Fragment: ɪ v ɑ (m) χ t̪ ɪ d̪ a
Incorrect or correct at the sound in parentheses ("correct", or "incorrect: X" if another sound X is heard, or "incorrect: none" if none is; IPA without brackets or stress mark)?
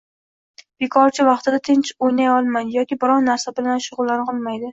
incorrect: none